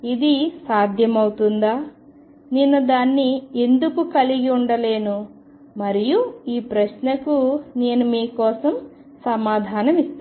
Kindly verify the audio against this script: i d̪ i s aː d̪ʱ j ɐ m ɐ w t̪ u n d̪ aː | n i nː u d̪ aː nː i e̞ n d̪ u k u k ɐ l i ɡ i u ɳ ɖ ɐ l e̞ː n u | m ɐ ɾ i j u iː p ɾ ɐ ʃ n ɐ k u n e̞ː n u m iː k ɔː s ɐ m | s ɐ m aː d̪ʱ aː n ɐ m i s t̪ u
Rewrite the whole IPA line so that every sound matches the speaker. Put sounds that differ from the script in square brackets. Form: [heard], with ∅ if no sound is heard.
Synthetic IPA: i d̪ i s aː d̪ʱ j ɐ m ɐ w t̪ u n d̪ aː | n i nː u d̪ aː nː i e̞ n d̪ u k u k ɐ l i ɡ i u ɳ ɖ ɐ l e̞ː n u | m ɐ ɾ i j u iː p ɾ ɐ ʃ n ɐ k u n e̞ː n u m iː k ɔː s ɐ m | s ɐ m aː d̪ʱ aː n ɐ m i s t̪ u